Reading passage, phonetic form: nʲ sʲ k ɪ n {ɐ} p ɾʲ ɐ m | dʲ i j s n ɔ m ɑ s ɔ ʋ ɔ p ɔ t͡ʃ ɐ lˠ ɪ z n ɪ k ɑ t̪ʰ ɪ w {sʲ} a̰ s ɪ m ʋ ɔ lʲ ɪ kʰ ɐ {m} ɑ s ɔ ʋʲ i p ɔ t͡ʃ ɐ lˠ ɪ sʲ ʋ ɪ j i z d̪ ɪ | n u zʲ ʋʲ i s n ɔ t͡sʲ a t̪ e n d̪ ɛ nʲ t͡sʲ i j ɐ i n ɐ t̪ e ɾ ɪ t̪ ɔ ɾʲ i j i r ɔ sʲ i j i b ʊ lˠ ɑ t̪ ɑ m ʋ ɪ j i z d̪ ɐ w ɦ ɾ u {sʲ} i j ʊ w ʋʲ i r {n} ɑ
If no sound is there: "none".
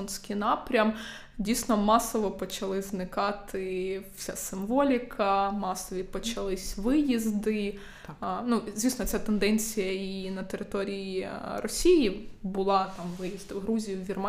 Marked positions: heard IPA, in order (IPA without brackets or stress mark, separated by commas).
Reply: ɑ, sʲ, m, zʲ, m